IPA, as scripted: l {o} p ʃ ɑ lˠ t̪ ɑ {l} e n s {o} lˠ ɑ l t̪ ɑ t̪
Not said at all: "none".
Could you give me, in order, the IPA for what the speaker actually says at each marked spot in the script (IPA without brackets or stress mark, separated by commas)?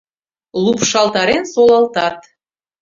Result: u, ɾ, o